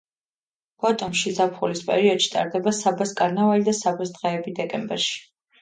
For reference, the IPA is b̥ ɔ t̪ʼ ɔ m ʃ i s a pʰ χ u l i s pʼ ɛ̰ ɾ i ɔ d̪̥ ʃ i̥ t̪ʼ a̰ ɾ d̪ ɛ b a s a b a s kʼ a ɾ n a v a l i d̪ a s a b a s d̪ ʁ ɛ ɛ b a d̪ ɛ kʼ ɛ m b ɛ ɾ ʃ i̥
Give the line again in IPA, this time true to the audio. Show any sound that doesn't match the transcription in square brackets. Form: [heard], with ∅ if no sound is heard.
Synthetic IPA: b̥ ɔ t̪ʼ ɔ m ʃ i [z] a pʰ χ u l i s pʼ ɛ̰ ɾ i ɔ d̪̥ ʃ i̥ t̪ʼ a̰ ɾ d̪ ɛ b a s a b a s kʼ a ɾ n a v a l i d̪ a s a b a s d̪ ʁ ɛ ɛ b [i] d̪ ɛ kʼ ɛ m b ɛ ɾ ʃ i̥